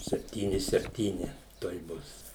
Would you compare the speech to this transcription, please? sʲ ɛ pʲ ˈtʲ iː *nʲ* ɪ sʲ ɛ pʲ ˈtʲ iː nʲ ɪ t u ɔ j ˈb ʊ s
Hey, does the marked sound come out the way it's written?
yes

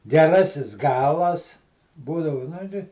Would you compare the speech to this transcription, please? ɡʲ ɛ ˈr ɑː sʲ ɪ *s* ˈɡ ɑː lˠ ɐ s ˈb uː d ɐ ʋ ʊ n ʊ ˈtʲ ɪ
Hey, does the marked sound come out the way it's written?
yes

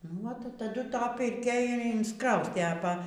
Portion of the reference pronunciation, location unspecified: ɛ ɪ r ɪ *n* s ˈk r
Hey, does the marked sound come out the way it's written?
yes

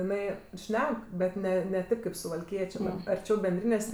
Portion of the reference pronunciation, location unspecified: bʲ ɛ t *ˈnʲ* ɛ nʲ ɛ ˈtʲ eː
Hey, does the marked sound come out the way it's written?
yes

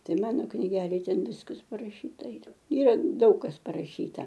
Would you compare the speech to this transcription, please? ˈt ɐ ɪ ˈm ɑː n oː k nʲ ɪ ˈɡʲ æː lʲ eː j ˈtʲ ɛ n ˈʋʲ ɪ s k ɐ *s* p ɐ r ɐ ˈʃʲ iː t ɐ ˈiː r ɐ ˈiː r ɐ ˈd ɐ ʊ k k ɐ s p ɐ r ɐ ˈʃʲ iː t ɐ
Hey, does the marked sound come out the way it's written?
yes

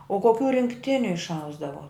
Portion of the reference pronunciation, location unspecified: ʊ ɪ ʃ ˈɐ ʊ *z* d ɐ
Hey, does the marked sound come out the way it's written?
yes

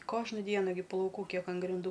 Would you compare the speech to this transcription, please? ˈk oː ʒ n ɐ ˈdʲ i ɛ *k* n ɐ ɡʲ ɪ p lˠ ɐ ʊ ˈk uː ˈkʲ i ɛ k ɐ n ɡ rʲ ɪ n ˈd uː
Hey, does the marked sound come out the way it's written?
no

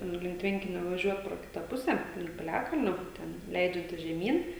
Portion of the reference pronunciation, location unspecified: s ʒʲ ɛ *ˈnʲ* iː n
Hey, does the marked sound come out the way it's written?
no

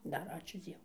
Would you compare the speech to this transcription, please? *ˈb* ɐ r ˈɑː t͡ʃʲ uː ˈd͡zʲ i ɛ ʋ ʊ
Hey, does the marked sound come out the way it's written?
no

